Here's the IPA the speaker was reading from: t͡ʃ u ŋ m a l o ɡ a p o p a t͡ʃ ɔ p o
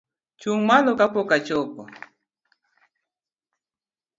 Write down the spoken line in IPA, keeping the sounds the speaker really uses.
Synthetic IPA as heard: t͡ʃ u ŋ m a l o k a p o k a t͡ʃ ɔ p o